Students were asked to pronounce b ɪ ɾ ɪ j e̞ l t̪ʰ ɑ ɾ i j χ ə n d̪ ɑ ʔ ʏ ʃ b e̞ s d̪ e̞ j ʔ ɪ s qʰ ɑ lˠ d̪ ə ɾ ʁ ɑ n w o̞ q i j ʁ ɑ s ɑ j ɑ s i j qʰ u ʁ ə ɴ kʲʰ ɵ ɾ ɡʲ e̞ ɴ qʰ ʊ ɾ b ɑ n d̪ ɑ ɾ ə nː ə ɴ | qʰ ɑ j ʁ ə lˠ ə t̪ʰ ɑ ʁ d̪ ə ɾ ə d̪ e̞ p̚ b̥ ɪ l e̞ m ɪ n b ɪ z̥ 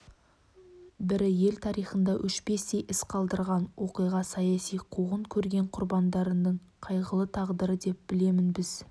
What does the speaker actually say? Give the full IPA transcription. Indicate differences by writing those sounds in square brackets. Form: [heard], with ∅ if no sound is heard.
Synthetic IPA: b ɪ ɾ ɪ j e̞ l t̪ʰ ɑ ɾ i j χ ə n d̪ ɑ ʔ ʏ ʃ b e̞ s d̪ e̞ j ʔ ɪ s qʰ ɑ lˠ d̪ ə ɾ ʁ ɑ n w o̞ q i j ʁ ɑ s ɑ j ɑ s i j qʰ u ʁ ə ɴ kʲʰ ɵ ɾ ɡʲ e̞ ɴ qʰ ʊ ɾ b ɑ n d̪ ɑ ɾ ə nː ə ɴ | qʰ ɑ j ʁ ə lˠ ə t̪ʰ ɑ ʁ d̪ ə ɾ ə d̪ e̞ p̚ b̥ ɪ l e̞ m ɪ n b ɪ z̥

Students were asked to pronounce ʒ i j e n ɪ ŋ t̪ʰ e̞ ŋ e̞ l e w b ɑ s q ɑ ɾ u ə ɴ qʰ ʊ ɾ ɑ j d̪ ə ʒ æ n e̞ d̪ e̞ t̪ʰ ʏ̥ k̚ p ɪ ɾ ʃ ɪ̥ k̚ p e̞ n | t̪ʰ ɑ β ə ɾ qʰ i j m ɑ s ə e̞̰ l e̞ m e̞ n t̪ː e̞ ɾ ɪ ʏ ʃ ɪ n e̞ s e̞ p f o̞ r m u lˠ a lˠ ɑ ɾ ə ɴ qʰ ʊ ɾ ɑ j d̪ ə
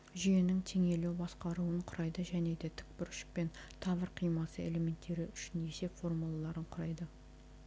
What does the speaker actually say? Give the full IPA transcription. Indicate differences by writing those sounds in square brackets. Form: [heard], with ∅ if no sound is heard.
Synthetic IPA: ʒ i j e n ɪ ŋ t̪ʰ e̞ ŋ e̞ l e w b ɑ s q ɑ ɾ u ə ɴ qʰ ʊ ɾ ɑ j d̪ ə ʒ æ n e̞ d̪ e̞ t̪ʰ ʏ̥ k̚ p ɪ ɾ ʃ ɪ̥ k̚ p e̞ n | t̪ʰ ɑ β ə ɾ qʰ i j m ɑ s ə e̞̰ l e̞ m e̞ n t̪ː e̞ ɾ ɪ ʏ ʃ ɪ n e̞ s e̞ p f o̞ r m u lˠ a lˠ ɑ ɾ ə ɴ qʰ ʊ ɾ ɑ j d̪ ə

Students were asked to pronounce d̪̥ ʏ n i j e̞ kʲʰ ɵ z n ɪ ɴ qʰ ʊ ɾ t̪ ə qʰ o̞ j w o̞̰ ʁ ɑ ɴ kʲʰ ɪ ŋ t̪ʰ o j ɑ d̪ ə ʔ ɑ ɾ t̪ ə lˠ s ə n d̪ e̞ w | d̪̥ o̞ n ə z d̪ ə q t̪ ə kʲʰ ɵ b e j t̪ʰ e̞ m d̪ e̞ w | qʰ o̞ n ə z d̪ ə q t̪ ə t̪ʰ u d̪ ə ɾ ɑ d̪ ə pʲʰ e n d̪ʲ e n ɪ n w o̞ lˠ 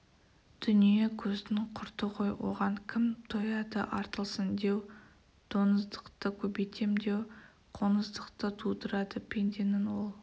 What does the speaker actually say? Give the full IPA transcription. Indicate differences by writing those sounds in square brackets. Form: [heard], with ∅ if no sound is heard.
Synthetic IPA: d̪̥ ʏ n i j e̞ kʲʰ ɵ z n ɪ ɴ qʰ ʊ ɾ t̪ ə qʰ o̞ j w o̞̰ ʁ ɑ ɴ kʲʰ ɪ [m] t̪ʰ o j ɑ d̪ ə ʔ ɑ ɾ t̪ ə lˠ s ə n d̪ e̞ w | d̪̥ o̞ n ə z d̪ ə q t̪ ə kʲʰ ɵ b e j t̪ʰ e̞ m d̪ e̞ w | qʰ o̞ n ə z d̪ ə q t̪ ə t̪ʰ u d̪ ə ɾ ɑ d̪ ə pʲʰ e n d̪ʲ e n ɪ n w o̞ lˠ

